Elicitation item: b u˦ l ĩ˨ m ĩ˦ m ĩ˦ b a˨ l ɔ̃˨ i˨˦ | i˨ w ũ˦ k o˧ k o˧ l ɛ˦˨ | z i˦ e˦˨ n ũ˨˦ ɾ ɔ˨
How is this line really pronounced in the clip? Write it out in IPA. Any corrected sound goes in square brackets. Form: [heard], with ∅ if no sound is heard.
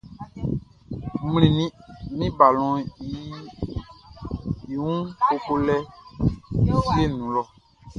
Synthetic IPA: [m] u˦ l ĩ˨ [n] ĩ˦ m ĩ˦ b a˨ l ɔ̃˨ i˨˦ | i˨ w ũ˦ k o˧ k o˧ l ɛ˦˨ | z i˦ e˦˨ n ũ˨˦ [l] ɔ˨